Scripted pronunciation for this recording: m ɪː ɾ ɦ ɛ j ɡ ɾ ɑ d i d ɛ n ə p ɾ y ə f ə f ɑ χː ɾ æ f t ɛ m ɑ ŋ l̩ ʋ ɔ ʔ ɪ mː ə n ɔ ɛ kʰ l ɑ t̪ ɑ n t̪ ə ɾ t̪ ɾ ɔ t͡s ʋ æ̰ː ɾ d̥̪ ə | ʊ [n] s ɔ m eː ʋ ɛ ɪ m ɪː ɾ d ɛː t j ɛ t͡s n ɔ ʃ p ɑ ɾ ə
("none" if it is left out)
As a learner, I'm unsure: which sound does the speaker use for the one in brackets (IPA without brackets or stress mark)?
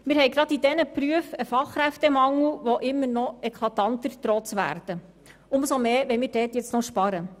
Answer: m